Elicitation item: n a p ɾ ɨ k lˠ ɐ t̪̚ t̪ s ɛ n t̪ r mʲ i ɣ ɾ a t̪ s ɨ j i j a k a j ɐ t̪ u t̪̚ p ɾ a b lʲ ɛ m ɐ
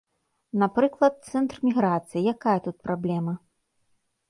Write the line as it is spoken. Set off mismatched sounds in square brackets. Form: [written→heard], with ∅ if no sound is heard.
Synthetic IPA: n a p ɾ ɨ k lˠ ɐ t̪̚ t̪ s ɛ n t̪ r mʲ i ɣ ɾ a t̪ s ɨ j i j a k a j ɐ t̪ u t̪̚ p ɾ a b lʲ ɛ m ɐ